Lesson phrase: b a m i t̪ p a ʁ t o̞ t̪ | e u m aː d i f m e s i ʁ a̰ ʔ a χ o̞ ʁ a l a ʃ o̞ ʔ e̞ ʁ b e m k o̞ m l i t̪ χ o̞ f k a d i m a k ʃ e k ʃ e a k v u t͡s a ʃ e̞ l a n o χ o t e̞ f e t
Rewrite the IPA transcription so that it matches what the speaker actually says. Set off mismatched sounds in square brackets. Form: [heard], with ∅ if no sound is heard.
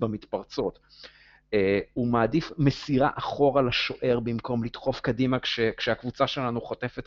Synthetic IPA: b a m i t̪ p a ʁ [t͡s] o̞ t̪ | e u m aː d i f m e s i ʁ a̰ ʔ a χ o̞ ʁ a l a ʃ o̞ ʔ e̞ ʁ b [i] m k o̞ m l i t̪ χ o̞ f k a d i m a k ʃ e k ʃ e a k v u t͡s a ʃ e̞ l a n [u] χ o t e̞ f e t